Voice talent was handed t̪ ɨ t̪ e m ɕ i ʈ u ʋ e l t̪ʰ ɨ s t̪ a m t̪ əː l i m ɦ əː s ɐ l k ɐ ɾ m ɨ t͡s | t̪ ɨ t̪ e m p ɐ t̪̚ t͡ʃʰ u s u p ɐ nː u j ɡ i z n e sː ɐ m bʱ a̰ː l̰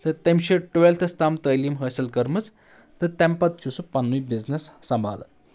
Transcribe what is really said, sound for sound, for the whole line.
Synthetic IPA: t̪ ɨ t̪ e m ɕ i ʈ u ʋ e l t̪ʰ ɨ s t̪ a m t̪ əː l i m ɦ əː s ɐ l k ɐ ɾ m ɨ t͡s | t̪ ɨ t̪ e m p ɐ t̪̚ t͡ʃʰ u s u p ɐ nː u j b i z n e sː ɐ m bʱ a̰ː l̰